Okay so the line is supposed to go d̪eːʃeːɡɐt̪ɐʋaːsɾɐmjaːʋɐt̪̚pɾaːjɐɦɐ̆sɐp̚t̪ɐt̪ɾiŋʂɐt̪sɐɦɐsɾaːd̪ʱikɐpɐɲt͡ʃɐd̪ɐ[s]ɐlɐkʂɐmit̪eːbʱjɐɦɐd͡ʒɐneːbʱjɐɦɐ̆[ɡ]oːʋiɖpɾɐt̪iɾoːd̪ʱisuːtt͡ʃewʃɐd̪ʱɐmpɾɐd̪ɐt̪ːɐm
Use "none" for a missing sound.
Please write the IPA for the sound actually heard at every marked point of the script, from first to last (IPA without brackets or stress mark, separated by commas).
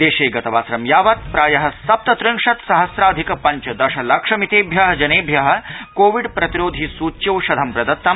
ʃ, k